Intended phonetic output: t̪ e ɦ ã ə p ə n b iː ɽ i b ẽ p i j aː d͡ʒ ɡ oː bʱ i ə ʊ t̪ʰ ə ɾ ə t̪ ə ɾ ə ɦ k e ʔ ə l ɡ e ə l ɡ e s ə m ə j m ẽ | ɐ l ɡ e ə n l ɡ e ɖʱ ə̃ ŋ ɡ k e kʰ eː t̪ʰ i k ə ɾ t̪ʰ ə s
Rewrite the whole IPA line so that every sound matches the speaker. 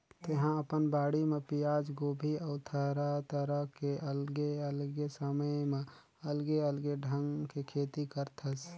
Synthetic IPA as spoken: t̪ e ɦ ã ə p ə n b aː ɽ i m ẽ p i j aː d͡ʒ ɡ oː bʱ i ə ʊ t̪ʰ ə ɾ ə t̪ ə ɾ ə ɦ k e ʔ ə l ɡ e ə l ɡ e s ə m ə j m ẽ | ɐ l ɡ e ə l ɡ e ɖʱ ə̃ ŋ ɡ k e kʰ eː t̪ i k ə ɾ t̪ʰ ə s